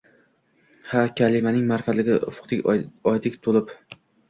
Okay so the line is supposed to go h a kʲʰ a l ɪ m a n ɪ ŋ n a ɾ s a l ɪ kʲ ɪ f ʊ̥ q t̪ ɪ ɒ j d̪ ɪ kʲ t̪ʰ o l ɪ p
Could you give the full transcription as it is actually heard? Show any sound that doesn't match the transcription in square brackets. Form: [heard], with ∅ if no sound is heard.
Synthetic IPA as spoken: h a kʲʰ a l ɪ m a n ɪ ŋ [m] a ɾ [f] a l ɪ [ɡʲ] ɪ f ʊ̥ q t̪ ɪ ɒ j d̪ ɪ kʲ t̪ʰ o l ɪ p